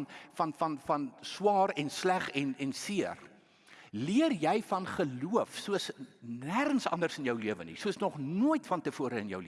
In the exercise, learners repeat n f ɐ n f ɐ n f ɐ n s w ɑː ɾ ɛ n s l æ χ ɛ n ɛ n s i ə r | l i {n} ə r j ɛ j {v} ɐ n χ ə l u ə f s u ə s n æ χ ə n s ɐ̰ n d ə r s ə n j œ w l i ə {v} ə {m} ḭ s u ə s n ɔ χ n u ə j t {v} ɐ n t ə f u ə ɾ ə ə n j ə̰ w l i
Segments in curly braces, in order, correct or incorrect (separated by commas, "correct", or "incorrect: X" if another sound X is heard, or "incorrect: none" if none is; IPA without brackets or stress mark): incorrect: none, incorrect: f, correct, incorrect: n, incorrect: f